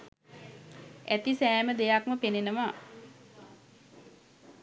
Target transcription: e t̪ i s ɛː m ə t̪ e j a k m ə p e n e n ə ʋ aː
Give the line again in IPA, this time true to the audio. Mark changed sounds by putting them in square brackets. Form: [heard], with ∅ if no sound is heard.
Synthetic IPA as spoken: [æ] t̪ i s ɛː m ə [d̪] e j a k m ə p e n e n ə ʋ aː